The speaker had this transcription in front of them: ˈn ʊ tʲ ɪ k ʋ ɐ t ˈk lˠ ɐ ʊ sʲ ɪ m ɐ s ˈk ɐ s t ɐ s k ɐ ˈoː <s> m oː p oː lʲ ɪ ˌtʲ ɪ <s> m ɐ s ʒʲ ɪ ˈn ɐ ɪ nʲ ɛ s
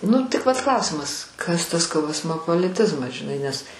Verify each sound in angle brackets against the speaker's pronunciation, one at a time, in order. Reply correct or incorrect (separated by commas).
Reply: correct, incorrect